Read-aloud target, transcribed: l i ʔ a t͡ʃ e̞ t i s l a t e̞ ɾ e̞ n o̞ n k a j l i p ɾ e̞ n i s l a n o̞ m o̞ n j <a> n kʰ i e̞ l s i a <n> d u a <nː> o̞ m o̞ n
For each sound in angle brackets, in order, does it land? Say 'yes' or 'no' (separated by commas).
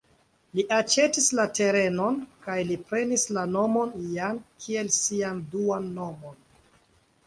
yes, yes, yes